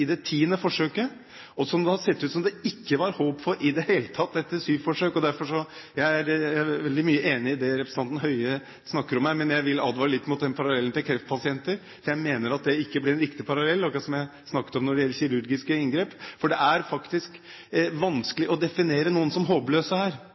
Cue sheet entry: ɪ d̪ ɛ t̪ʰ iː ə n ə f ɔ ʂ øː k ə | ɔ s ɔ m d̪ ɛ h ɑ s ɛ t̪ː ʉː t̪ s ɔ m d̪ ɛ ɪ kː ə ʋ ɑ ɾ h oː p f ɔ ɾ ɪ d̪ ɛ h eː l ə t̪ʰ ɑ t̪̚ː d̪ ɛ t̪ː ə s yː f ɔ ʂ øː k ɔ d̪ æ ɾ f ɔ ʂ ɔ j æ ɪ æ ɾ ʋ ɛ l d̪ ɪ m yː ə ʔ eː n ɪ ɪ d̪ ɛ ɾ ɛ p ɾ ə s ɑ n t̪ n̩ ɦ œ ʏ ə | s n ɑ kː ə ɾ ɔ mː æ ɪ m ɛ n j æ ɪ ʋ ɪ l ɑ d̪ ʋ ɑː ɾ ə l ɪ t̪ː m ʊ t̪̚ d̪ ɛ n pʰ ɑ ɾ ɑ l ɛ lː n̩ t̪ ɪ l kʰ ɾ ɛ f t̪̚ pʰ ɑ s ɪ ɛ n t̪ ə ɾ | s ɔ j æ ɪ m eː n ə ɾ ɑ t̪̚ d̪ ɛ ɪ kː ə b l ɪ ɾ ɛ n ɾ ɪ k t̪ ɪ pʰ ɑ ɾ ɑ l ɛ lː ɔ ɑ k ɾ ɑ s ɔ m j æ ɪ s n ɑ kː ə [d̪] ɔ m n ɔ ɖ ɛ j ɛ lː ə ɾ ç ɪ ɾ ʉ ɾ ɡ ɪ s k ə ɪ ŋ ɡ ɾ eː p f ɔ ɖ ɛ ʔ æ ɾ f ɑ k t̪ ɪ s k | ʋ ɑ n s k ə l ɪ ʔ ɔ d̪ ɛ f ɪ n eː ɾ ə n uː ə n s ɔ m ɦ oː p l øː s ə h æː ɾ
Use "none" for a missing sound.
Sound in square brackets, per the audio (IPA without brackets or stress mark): t̪